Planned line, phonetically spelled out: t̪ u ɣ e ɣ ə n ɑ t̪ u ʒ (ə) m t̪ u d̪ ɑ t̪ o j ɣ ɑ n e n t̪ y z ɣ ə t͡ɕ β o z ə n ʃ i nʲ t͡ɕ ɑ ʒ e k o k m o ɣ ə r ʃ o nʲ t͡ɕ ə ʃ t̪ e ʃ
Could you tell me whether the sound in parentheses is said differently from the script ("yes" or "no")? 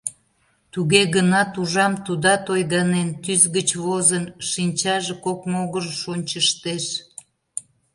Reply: yes